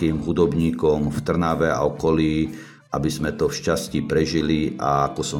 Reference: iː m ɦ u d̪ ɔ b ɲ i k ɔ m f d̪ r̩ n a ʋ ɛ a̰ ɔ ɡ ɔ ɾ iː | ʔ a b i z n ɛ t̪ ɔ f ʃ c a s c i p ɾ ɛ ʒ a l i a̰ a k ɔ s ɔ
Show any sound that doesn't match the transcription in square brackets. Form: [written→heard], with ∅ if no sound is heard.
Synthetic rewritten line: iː m ɦ u d̪ ɔ b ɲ [i→iː] k ɔ m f [d̪→t̪] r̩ n a ʋ ɛ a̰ ɔ [ɡ→k] ɔ [ɾ→l] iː | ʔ a b i z [n→m] ɛ t̪ ɔ f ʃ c a s c i p ɾ ɛ ʒ [a→i] l i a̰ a k ɔ s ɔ